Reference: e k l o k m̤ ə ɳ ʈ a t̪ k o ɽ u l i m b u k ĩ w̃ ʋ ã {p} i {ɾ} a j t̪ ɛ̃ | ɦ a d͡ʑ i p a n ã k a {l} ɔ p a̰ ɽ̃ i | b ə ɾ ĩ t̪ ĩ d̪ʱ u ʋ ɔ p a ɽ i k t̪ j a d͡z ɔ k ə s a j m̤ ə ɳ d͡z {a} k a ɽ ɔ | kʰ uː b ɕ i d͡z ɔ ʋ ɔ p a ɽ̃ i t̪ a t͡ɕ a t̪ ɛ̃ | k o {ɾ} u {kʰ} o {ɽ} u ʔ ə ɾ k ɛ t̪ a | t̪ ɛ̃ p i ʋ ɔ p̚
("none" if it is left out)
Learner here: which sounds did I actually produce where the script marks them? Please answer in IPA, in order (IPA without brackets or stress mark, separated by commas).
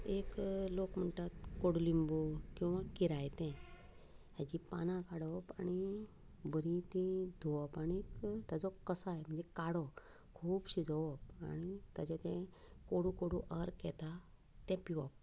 k, ɾ, ɽ, e, ɽ, k, ɽ